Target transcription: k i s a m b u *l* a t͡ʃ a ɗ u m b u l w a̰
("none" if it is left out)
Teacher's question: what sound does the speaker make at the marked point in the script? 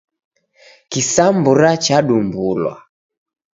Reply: ɾ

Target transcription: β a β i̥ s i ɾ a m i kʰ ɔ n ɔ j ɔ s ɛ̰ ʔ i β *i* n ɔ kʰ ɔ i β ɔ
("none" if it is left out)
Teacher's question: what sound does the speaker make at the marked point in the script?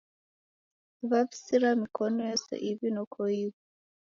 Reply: i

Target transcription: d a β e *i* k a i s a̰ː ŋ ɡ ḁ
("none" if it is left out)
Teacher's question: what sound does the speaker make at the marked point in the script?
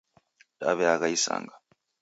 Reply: a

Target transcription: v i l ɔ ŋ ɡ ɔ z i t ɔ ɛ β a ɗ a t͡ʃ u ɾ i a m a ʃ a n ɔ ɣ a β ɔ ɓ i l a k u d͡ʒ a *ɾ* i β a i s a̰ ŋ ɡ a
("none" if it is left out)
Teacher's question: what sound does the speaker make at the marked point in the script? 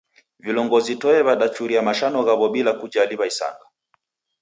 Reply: l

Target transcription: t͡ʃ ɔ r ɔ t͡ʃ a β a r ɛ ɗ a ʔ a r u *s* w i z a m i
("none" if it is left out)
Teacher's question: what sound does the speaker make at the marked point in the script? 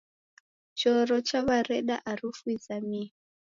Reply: f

